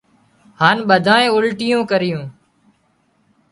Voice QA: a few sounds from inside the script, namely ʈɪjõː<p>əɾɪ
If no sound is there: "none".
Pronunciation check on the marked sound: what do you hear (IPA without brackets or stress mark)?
k